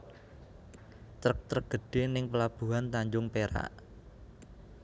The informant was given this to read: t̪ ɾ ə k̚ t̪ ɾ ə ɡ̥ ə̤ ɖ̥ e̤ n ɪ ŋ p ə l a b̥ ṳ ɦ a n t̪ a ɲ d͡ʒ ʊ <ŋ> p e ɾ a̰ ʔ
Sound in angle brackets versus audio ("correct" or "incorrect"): correct